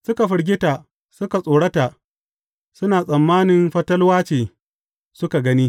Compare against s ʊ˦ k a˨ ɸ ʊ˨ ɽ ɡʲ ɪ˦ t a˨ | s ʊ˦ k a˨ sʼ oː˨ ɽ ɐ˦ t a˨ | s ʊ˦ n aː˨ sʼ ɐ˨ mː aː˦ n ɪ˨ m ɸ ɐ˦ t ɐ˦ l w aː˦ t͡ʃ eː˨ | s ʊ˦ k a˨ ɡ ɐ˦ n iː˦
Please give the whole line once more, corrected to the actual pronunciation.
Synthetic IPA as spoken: s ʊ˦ k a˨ ɸ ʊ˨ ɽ ɡʲ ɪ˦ t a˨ | s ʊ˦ k a˨ sʼ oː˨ ɽ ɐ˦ t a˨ | s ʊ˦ n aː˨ sʼ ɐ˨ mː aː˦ n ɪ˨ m ɸ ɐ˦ t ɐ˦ l w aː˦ t͡ʃ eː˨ | s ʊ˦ k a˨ ɡ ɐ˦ n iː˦